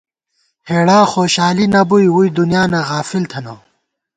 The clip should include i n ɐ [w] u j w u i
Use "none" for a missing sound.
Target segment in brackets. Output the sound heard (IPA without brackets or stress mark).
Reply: b